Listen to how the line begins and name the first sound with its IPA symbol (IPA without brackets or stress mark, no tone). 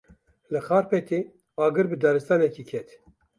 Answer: l